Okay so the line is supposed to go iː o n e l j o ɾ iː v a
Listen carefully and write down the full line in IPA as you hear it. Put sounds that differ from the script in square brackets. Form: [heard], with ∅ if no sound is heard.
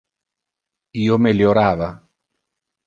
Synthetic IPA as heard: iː o [m] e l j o ɾ [aː] v a